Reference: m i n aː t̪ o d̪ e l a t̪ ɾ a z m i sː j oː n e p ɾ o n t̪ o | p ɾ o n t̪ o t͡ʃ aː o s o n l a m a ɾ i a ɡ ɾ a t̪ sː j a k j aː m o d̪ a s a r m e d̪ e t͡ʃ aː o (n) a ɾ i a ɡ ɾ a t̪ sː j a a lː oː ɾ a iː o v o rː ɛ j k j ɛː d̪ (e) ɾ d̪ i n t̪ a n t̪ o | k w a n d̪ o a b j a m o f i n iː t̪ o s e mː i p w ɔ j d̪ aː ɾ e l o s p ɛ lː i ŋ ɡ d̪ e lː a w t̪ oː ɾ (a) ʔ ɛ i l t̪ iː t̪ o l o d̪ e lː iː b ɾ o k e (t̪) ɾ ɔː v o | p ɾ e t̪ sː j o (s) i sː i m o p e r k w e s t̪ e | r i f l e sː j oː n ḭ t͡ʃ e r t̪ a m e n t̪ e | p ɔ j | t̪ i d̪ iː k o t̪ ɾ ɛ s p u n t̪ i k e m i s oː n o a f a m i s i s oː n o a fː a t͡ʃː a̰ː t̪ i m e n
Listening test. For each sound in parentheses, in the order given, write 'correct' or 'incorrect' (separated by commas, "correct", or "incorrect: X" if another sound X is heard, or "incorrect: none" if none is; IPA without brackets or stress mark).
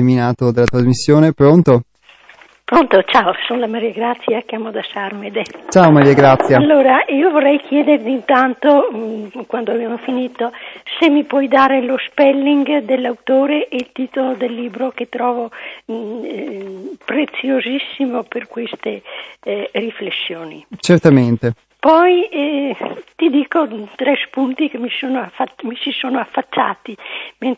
incorrect: m, correct, incorrect: e, correct, incorrect: z